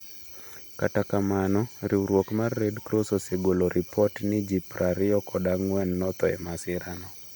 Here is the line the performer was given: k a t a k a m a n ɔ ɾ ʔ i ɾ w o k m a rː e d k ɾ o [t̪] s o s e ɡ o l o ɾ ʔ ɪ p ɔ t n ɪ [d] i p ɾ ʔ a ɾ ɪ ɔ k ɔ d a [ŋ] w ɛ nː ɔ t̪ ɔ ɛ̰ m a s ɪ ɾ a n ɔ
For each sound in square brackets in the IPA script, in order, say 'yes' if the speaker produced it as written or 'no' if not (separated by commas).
no, no, yes